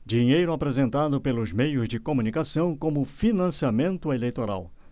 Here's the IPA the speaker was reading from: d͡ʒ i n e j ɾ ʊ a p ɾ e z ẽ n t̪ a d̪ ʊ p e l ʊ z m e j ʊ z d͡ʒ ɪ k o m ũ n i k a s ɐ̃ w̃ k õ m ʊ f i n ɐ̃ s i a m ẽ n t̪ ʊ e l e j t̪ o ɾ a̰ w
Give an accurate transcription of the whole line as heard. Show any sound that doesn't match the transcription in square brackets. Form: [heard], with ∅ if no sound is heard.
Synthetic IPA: d͡ʒ i [ɲ] e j ɾ ʊ a p ɾ e z ẽ n t̪ a d̪ ʊ p e l ʊ z m e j ʊ z d͡ʒ ɪ k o m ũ n i k a s ɐ̃ w̃ k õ m ʊ f i n ɐ̃ s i a m ẽ n t̪ ʊ e l e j t̪ o ɾ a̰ w